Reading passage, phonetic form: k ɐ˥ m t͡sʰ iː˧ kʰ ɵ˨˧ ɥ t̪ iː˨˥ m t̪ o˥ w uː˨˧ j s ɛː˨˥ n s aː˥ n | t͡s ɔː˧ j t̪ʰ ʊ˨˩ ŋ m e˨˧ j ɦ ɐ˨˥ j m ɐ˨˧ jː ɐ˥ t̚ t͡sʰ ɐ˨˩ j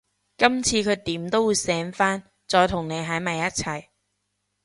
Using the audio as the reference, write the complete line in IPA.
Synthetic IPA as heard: k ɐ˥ m t͡sʰ iː˧ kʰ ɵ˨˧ ɥ t̪ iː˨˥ m t̪ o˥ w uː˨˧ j s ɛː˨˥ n f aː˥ n | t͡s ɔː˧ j t̪ʰ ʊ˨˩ ŋ n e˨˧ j ɦ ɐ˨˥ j m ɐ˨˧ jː ɐ˥ t̚ t͡sʰ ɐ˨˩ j